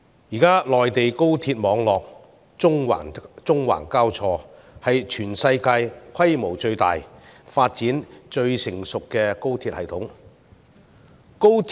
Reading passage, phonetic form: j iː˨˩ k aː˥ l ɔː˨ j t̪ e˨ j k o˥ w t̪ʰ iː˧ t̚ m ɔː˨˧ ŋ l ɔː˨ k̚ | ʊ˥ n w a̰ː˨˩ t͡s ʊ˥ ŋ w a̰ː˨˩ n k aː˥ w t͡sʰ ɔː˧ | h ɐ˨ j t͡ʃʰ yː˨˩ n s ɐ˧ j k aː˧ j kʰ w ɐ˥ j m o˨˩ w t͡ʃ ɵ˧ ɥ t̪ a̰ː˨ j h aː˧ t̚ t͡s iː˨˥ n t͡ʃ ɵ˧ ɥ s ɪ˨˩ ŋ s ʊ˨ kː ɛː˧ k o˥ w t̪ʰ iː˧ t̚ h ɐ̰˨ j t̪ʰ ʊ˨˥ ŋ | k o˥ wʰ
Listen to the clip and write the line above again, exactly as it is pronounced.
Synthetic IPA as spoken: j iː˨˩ k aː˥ l ɔː˨ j t̪ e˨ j k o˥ w t̪ʰ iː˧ t̚ m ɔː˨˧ ŋ l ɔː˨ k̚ | ʊ˥ ŋ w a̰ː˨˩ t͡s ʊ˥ ŋ w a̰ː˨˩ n k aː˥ w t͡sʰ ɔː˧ | h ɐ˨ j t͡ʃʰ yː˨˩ n s ɐ˧ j k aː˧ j kʰ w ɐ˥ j m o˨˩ w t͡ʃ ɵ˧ ɥ t̪ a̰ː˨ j f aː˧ t̚ t͡s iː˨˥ n t͡ʃ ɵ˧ ɥ s ɪ˨˩ ŋ s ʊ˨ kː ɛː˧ k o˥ w t̪ʰ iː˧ t̚ h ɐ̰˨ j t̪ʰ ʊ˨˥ ŋ | k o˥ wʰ